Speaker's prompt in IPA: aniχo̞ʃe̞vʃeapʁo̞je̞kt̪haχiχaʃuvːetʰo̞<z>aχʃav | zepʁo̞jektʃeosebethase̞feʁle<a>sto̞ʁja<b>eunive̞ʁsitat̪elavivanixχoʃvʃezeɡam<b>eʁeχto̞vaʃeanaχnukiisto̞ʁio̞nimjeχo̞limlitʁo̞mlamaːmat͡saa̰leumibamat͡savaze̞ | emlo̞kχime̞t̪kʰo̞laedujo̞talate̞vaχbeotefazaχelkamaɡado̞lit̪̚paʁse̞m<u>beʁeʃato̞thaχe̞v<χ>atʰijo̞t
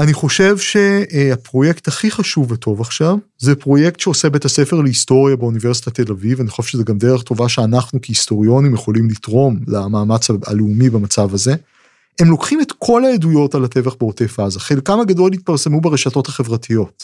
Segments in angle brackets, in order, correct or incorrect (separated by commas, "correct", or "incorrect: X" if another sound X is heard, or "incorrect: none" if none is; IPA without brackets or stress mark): incorrect: v, incorrect: i, correct, incorrect: d, correct, incorrect: ʁ